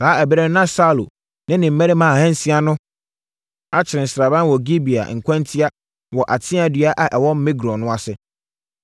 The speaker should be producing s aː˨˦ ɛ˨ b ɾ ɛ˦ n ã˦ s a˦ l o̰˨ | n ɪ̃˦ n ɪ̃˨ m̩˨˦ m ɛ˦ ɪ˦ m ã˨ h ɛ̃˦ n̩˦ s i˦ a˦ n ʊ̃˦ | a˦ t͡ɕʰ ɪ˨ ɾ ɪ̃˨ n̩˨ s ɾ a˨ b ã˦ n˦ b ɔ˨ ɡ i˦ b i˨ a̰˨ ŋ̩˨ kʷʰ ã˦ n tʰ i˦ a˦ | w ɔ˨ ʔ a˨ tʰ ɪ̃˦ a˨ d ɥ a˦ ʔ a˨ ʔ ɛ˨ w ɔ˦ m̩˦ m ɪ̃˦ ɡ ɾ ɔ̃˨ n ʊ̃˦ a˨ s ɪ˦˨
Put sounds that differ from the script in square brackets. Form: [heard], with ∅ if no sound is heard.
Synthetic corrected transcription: s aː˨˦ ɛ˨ b ɾ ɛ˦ n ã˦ s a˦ l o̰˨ | n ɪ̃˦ n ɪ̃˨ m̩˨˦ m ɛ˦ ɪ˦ m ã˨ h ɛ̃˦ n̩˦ s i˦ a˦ n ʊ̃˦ | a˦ t͡ɕʰ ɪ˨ ɾ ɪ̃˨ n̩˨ s ɾ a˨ b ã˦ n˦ [w] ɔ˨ ɡ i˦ b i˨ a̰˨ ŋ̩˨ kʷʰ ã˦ n tʰ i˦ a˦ | w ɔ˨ ʔ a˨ tʰ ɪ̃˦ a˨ d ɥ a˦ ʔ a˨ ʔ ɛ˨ w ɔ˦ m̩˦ m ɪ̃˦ ɡ ɾ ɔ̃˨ n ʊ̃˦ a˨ s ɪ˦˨

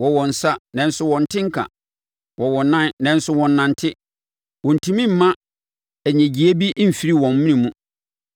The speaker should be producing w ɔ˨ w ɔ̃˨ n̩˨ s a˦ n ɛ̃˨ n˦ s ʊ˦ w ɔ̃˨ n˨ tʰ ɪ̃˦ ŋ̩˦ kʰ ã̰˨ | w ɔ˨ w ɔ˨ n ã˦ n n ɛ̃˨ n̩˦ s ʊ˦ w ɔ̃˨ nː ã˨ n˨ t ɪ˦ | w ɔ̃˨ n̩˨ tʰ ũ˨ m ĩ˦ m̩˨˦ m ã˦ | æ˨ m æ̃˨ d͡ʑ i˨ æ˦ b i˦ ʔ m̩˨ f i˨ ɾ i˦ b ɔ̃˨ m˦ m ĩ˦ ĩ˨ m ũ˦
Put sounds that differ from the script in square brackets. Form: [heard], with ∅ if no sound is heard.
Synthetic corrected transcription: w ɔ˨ w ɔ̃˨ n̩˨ s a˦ n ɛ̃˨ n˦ s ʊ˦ w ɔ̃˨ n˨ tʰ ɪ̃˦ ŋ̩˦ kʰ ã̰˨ | w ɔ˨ w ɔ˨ n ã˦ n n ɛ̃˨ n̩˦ s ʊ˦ w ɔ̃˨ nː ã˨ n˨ [tʰ] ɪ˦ | w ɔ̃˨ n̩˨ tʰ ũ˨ m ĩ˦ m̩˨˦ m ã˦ | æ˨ [ɲ] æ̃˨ d͡ʑ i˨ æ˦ b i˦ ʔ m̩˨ f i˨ ɾ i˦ [w] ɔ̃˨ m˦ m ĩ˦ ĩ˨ m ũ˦

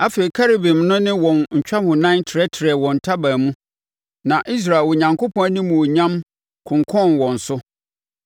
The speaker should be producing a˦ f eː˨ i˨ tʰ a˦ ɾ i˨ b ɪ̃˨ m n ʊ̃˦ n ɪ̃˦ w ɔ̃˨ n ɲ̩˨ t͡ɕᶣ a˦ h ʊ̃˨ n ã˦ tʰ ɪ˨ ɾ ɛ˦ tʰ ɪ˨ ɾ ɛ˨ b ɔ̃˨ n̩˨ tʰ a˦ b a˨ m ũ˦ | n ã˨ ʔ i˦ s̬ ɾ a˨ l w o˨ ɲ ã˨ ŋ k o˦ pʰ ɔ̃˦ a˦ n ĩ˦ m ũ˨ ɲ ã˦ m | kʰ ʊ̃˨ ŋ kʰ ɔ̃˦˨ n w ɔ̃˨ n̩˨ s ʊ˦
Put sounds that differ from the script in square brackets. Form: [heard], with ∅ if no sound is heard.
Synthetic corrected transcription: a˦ f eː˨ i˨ [kʰ] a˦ ɾ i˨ b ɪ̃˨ m n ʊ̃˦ n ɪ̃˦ w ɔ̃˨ n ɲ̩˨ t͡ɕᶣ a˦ h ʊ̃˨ n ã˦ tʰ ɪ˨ ɾ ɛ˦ tʰ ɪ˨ ɾ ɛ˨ [w] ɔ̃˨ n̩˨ tʰ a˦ b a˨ m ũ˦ | n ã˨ ʔ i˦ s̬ ɾ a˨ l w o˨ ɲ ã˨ ŋ k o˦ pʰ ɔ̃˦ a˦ n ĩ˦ m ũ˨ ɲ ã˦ m | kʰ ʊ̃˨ ŋ kʰ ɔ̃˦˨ n w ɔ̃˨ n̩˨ s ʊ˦

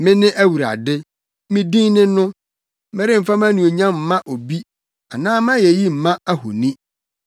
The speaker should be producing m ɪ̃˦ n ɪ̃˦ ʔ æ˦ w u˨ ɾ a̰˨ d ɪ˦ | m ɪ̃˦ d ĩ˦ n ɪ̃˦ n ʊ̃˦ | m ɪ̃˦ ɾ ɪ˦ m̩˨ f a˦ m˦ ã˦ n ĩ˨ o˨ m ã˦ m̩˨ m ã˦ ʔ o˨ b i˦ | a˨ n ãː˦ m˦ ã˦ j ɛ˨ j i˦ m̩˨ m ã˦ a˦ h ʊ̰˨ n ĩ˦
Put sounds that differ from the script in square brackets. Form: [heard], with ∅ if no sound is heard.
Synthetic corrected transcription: m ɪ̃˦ n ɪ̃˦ ʔ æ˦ w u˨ ɾ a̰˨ d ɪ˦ | m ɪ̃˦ d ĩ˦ n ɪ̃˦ n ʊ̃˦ | m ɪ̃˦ ɾ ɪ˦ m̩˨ f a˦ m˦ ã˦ n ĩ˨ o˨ [ɲ] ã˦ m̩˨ m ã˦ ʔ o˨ b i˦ | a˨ n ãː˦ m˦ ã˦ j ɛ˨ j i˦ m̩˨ m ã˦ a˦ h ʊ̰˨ n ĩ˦

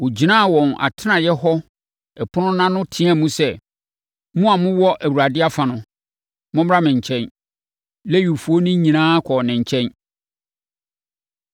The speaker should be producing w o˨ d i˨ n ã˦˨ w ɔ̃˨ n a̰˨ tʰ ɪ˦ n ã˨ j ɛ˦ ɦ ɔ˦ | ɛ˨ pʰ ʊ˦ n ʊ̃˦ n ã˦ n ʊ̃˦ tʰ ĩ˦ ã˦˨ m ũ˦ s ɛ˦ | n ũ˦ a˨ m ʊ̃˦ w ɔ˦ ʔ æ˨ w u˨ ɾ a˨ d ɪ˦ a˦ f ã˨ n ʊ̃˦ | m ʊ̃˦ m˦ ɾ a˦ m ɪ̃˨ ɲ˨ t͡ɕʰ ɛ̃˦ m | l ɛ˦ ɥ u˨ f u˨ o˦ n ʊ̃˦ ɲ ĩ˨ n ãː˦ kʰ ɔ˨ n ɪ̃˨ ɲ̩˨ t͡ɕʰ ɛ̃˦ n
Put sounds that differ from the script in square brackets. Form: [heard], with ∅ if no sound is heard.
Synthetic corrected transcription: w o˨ [d͡ʑ] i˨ n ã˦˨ w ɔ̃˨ n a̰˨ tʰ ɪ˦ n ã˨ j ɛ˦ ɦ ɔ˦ | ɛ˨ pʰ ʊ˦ n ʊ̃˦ n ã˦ n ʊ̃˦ tʰ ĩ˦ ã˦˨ m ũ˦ s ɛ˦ | [m] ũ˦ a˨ m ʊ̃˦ w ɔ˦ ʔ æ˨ w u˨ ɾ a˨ d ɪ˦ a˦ f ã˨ n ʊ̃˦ | m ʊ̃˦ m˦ ɾ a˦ m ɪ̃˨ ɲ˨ t͡ɕʰ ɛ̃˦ [n] | l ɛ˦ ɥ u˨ f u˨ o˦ n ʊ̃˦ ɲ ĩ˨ n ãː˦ kʰ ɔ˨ n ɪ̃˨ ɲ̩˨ t͡ɕʰ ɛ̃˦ n

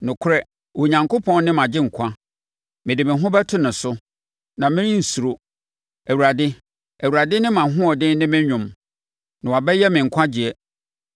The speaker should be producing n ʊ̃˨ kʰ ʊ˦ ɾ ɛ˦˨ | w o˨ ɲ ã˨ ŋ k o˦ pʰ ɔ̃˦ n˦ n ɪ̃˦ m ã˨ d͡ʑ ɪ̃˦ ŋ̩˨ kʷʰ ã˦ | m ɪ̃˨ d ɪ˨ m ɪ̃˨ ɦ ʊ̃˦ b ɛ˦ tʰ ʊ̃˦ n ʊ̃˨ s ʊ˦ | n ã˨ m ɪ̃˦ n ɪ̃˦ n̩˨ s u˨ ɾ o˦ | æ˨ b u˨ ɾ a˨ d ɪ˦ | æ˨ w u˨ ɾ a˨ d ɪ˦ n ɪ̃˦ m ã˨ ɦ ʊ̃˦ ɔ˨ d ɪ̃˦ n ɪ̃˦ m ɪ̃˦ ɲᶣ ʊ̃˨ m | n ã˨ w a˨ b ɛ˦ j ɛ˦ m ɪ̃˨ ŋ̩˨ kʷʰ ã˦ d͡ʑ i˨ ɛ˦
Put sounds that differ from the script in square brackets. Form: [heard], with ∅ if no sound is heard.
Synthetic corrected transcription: n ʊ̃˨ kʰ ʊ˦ ɾ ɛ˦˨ | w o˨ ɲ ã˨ ŋ k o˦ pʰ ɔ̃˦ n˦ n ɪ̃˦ m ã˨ d͡ʑ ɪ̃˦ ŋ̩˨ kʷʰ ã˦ | m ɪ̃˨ d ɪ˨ m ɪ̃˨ ɦ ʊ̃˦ b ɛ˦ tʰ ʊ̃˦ n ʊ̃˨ s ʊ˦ | n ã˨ m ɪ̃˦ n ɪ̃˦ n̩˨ s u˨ ɾ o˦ | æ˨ [w] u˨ ɾ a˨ d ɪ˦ | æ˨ w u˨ ɾ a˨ d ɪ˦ n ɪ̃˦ m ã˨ ɦ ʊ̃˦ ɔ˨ d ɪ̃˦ n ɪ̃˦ m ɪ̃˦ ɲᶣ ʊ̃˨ m | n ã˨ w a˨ b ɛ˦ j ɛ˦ m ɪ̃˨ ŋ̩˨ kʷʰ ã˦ d͡ʑ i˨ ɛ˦

